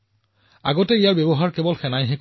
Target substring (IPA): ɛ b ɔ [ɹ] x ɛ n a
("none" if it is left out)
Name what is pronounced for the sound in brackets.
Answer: l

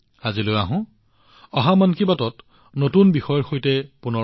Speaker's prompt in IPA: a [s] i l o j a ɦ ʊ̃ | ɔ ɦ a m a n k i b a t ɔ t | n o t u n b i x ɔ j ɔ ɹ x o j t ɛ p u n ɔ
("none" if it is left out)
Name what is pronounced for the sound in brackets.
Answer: z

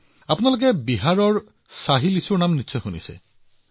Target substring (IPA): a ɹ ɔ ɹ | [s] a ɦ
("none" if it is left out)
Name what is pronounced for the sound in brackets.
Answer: s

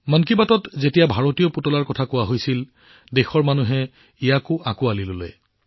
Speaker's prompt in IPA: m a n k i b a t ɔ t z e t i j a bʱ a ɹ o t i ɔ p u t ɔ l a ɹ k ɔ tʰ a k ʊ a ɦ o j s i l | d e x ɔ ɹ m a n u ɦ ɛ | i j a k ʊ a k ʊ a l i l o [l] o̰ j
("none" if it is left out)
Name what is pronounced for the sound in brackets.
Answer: l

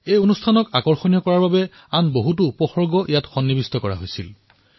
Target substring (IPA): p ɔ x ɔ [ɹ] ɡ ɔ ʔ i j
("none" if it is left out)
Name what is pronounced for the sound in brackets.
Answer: ɹ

